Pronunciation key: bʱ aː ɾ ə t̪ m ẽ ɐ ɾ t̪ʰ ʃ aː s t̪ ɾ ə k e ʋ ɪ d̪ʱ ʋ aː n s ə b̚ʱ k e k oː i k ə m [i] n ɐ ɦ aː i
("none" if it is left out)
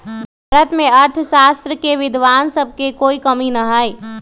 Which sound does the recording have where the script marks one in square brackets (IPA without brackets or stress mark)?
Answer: i